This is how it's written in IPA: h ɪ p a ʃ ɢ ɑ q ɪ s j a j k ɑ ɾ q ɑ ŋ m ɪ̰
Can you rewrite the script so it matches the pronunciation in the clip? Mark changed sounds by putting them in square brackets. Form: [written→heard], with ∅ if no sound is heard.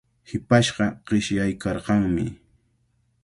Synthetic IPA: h ɪ p a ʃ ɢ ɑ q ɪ [s→ʃ] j a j k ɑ ɾ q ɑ ŋ m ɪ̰